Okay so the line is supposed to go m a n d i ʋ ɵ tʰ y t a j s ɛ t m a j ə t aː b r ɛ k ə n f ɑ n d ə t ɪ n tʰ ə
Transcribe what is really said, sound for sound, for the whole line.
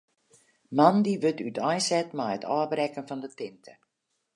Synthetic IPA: m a n d i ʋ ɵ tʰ y t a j s ɛ t m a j ə t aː b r ɛ k ə n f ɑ n d ə t ɪ n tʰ ə